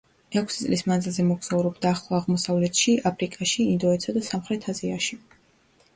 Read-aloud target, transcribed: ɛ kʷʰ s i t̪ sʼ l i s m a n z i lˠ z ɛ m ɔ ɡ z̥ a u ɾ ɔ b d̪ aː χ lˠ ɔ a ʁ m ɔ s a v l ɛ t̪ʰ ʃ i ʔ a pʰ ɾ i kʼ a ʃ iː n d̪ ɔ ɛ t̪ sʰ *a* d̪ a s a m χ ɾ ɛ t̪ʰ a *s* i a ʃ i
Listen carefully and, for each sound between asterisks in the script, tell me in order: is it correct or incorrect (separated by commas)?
correct, incorrect